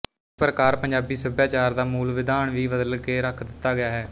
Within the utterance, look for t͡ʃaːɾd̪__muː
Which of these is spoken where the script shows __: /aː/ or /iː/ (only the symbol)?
aː